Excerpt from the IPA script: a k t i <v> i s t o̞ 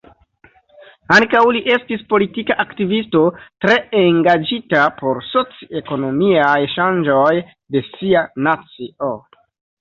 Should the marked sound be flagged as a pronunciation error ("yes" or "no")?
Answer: no